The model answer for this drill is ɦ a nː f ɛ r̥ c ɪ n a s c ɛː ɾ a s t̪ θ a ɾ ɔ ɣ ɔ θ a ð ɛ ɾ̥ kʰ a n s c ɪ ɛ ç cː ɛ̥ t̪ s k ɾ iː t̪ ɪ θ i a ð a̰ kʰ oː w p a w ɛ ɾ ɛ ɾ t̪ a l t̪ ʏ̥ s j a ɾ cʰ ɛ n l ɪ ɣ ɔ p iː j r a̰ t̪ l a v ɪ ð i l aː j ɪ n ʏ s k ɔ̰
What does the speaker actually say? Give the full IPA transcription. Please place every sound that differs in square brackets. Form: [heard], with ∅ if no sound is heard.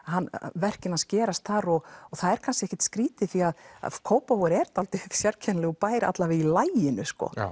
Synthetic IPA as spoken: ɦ a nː [v] ɛ r̥ c ɪ n a s c ɛː ɾ a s t̪ θ a ɾ ɔ ɣ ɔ θ a ð ɛ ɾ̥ kʰ a n s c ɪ ɛ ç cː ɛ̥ t̪ s k ɾ iː t̪ ɪ θ i a ð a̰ kʰ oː w p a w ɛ ɾ ɛ ɾ t̪ a l t̪ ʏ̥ s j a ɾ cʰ ɛ n l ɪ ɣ ɔ p [aː] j [ɾ] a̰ t̪ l a v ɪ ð i l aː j ɪ n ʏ s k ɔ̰